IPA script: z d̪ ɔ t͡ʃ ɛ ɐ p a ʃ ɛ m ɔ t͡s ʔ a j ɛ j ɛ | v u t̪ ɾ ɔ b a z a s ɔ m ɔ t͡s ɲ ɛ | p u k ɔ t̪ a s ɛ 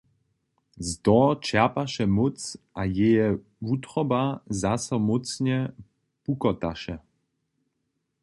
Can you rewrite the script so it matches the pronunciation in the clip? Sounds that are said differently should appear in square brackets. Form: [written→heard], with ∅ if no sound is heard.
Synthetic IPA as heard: z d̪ ɔ t͡ʃ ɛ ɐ p a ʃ ɛ m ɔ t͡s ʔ a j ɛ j ɛ | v u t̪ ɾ ɔ b a z a s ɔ m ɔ t͡s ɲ ɛ | p u k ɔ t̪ a [s→ʃ] ɛ